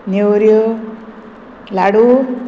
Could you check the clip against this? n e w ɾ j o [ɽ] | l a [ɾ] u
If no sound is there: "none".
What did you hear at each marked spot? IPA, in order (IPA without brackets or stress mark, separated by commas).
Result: none, ɽ